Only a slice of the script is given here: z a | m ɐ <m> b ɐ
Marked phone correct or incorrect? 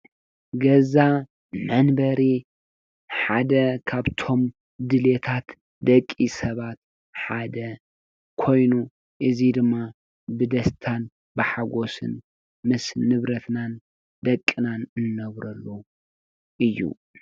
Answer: incorrect